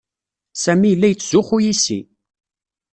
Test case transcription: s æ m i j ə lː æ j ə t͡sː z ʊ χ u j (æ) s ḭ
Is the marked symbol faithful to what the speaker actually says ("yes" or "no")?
no